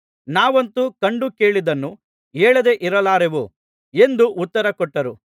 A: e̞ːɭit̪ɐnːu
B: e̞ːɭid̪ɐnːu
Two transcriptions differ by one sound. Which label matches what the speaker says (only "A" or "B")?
B